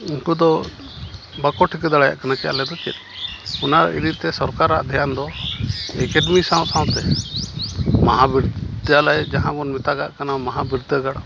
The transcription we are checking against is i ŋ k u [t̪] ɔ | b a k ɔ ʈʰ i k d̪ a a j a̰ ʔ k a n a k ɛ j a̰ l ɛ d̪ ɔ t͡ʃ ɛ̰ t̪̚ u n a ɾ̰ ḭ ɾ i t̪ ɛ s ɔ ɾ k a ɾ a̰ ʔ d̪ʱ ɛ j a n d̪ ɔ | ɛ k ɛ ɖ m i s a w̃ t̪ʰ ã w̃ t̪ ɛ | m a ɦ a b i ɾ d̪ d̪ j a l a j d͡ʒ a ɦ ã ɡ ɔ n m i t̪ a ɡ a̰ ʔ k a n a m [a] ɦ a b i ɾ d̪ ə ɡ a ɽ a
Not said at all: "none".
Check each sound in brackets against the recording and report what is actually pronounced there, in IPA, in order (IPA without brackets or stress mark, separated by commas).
d̪, a